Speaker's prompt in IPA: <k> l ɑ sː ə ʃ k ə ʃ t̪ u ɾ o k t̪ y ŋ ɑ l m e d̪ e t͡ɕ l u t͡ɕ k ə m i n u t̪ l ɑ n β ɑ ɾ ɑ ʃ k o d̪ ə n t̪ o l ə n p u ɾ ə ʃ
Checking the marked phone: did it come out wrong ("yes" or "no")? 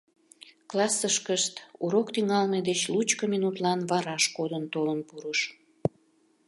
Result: no